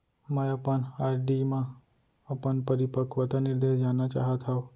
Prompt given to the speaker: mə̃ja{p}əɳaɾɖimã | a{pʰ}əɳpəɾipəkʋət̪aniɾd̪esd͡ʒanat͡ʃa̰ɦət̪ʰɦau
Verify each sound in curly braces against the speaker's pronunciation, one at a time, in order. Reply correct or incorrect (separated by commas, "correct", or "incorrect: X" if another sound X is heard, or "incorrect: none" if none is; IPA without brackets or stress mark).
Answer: correct, incorrect: p